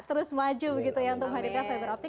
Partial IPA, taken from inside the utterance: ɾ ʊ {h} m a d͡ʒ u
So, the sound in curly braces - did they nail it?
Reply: no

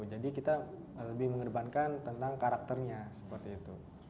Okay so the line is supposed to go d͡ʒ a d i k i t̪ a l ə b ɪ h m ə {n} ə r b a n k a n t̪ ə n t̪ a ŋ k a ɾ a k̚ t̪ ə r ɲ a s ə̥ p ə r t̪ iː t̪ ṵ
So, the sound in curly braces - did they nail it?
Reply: no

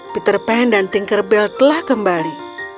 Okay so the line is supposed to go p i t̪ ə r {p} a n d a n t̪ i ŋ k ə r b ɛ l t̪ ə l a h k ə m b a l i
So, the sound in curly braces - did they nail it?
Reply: yes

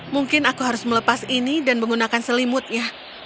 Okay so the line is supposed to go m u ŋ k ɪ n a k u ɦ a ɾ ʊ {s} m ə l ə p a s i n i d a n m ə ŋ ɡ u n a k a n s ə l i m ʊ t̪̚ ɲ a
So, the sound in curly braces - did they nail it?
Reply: yes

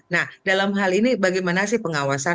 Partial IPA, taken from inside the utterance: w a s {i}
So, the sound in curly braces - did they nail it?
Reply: no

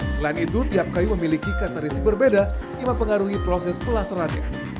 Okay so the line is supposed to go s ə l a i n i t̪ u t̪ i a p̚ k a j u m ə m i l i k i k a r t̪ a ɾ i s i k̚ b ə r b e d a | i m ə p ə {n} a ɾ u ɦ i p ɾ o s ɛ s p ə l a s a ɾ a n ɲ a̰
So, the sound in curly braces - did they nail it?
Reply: no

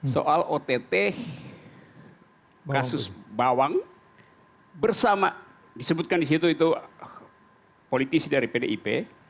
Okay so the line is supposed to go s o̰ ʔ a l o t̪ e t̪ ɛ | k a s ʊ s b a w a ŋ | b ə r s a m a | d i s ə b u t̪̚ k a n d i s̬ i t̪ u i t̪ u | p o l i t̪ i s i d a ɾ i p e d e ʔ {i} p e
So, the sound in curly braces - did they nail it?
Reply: yes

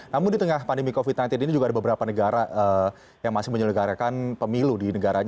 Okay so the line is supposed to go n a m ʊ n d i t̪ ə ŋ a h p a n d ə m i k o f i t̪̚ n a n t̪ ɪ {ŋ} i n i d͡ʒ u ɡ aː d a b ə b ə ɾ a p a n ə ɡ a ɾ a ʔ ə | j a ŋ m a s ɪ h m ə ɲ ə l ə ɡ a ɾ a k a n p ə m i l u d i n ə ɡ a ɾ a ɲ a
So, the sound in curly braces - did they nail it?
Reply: no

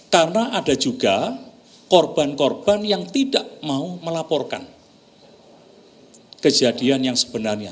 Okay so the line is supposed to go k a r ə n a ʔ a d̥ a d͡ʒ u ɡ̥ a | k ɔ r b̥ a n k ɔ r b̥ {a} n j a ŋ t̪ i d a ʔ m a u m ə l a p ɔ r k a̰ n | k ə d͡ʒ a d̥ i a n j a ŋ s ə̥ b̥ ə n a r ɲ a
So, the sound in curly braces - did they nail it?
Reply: yes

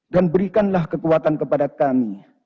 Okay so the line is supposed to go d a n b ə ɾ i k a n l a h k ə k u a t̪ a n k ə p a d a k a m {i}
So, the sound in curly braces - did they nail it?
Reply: yes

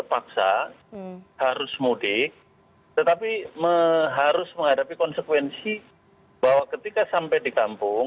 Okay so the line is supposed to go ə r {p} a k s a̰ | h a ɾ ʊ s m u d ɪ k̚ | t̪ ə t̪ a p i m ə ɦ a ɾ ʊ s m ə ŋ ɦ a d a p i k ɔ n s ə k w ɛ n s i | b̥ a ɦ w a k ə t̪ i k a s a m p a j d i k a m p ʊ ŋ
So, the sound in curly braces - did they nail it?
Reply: yes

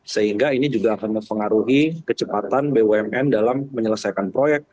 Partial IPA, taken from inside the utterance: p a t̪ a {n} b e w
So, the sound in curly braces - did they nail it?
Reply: yes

